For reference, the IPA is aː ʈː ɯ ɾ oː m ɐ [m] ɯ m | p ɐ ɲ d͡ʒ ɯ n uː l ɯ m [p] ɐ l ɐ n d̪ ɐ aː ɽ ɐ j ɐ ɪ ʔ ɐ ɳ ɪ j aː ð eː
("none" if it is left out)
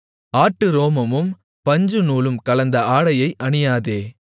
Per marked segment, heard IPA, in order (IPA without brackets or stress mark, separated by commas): m, k